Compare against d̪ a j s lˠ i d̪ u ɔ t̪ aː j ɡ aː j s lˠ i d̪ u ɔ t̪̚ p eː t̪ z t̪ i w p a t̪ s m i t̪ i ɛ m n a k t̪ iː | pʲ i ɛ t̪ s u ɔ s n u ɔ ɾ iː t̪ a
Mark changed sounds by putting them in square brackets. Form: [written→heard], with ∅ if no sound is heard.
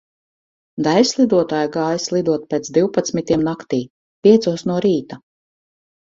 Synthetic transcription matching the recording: d̪ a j s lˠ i d̪ u ɔ t̪ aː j ɡ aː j s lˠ i d̪ u ɔ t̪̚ p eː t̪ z [t̪→d̪] i w p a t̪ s m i t̪ i ɛ m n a k t̪ iː | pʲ i ɛ t̪ s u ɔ s n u ɔ ɾ iː t̪ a